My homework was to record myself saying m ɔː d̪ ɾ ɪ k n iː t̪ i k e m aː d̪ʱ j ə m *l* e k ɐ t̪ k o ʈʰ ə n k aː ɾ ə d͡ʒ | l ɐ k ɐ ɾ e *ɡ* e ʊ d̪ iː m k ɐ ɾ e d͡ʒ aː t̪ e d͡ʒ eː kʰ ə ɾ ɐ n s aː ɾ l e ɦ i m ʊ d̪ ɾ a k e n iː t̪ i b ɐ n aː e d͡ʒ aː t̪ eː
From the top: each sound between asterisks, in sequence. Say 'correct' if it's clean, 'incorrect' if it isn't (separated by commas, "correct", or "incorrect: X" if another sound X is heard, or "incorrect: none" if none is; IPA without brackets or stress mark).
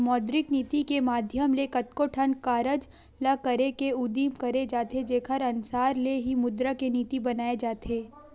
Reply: correct, incorrect: k